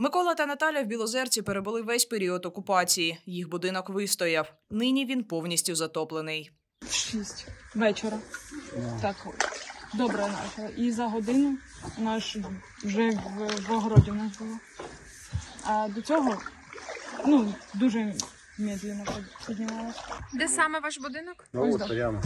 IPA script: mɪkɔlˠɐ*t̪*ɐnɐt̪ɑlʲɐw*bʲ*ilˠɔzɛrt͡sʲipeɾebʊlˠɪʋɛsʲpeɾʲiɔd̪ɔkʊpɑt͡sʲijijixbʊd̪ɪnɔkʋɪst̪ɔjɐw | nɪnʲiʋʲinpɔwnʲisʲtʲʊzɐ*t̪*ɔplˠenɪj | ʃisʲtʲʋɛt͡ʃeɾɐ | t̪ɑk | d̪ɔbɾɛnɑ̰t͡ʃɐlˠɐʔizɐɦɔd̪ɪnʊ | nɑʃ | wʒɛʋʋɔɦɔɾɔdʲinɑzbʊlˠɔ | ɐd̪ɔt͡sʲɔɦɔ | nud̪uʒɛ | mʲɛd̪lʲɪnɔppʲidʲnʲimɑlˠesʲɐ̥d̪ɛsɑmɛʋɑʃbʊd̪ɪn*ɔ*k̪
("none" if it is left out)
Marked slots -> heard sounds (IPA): t̪, bʲ, t̪, ɔ

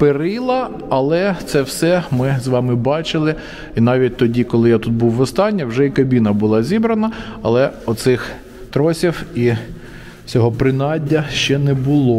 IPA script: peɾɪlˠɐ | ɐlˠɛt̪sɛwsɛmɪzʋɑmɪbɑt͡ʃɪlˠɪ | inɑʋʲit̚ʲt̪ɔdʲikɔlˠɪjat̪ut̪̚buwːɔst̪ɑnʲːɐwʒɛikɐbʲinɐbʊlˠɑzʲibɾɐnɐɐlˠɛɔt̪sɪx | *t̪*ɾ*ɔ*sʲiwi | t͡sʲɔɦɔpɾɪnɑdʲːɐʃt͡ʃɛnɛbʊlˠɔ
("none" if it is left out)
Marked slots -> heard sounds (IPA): t̪, ɔ

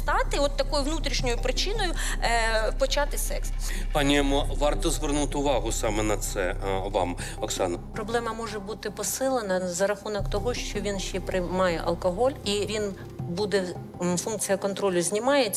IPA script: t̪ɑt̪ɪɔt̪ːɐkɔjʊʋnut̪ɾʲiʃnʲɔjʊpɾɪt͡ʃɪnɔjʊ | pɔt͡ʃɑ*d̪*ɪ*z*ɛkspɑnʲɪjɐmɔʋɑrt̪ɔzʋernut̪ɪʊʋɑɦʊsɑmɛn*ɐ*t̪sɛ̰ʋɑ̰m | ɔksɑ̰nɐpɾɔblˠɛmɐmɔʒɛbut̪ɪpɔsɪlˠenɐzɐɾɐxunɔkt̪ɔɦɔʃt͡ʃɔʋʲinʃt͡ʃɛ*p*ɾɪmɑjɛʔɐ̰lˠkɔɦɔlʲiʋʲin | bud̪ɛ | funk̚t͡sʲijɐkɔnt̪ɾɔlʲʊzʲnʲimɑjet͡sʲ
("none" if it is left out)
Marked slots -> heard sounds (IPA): t̪, s, ɐ, p

